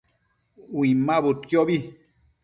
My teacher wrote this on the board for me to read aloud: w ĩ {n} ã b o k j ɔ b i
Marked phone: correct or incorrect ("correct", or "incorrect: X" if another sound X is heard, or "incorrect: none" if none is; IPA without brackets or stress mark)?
incorrect: m